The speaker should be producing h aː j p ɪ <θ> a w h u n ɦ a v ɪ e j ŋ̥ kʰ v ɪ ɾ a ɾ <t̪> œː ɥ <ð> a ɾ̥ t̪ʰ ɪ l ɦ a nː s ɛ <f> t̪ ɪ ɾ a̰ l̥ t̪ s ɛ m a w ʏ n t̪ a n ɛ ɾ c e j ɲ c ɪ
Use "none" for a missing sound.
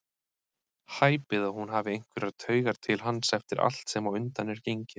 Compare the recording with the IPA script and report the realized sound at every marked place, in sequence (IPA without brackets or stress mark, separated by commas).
ð, t̪ʰ, ɣ, f